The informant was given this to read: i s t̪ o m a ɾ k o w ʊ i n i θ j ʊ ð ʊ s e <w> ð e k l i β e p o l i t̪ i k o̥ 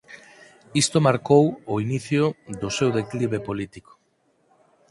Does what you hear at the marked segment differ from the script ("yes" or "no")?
no